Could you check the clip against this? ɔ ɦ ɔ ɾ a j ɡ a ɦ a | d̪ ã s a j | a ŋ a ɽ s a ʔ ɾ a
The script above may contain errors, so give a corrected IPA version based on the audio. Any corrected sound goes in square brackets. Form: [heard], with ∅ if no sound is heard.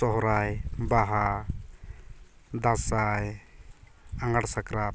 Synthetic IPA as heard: ɔ ɦ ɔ ɾ a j [b] a ɦ a | d̪ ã s a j | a ŋ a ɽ s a [k] ɾ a